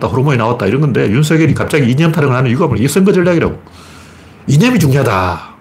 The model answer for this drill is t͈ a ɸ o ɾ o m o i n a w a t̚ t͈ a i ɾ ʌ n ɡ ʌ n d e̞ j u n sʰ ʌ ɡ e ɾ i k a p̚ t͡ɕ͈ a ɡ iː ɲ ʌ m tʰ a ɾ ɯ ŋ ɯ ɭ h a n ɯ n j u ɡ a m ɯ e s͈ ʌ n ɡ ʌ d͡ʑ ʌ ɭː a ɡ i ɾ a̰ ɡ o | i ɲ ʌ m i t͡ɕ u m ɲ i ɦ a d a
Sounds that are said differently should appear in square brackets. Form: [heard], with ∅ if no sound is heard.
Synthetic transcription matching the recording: t͈ a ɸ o ɾ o m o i n a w a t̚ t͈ a i ɾ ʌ n ɡ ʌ n d e̞ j u n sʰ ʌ ɡ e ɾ i k a p̚ t͡ɕ͈ a ɡ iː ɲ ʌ m tʰ a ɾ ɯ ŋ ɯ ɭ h a n ɯ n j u ɡ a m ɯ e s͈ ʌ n ɡ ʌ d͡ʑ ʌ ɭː a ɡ i ɾ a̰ ɡ o | i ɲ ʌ m i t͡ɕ u [ŋ] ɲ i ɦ a d a